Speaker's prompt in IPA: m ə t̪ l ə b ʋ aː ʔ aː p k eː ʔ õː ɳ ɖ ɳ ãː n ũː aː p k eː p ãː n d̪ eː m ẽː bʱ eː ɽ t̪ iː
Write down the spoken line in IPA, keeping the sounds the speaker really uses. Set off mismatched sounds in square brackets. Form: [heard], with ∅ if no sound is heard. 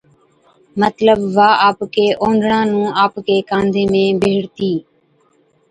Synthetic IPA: m ə t̪ l ə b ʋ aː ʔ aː p k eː ʔ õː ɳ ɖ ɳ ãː n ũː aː p k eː [k] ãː n d̪ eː m ẽː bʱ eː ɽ t̪ iː